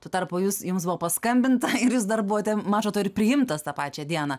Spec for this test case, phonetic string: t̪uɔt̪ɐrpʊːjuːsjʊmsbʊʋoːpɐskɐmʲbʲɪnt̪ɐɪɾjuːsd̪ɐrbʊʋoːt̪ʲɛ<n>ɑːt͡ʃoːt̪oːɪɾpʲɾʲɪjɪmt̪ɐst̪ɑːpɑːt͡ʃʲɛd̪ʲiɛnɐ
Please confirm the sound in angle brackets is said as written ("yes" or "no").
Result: no